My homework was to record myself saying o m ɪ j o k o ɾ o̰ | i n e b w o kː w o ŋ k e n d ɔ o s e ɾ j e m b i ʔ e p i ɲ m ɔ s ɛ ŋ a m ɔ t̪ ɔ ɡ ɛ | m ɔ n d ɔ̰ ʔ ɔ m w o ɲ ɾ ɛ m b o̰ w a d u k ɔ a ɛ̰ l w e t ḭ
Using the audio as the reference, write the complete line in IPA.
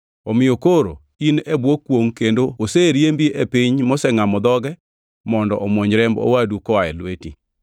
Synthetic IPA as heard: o m ɪ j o k o ɾ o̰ | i n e b w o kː w o ŋ k e n d o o s e ɾ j e m b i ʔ e p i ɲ m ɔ s ɛ ŋ a m ɔ d̪ ɔ ɡ ɛ | m ɔ n d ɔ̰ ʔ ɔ m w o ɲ ɾ ɛ m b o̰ w a d u k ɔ a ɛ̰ l w e t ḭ